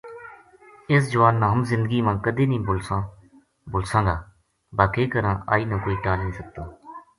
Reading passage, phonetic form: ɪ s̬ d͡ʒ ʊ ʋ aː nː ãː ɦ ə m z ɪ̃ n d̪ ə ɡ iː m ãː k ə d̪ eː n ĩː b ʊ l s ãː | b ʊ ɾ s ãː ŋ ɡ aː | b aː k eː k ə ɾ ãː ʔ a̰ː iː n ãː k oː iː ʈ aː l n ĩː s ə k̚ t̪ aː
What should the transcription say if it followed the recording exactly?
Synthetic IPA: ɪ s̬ d͡ʒ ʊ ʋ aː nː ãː ɦ ə m z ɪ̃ n d̪ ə ɡ iː m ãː k ə d̪ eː n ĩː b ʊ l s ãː | b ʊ l s ãː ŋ ɡ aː | b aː k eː k ə ɾ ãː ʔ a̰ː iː n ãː k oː iː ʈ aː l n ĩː s ə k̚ t̪ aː

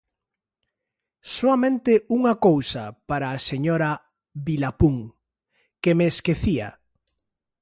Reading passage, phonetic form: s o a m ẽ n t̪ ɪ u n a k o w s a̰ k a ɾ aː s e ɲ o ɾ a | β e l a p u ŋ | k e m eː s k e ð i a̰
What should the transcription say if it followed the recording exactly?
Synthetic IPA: s o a m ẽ n t̪ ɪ u ŋ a k o w s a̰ p a ɾ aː s e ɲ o ɾ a | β i l a p u ŋ | k e m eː s k e θ i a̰

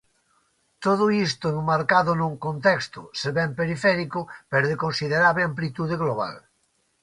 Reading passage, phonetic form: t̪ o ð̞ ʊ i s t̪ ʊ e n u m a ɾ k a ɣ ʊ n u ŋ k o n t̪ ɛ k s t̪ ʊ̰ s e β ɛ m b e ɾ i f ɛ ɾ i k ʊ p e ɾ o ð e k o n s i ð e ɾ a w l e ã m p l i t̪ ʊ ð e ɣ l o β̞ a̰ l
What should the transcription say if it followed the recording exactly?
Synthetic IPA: t̪ o ð̞ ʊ i s t̪ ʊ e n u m a ɾ k a ð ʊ n u ŋ k o n t̪ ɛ k s t̪ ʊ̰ s e β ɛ m p e ɾ i f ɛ ɾ i k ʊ p e ɾ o ð e k o n s i ð e ɾ a β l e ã m p l i t̪ u ð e ɣ l o β̞ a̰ l

